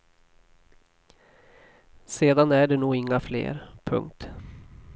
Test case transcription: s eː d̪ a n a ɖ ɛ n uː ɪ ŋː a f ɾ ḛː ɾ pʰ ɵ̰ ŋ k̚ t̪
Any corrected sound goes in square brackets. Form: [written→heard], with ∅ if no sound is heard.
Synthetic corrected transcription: s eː d̪ a n [a→æ] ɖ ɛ n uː ɪ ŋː a f [ɾ→l] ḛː ɾ pʰ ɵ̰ ŋ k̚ t̪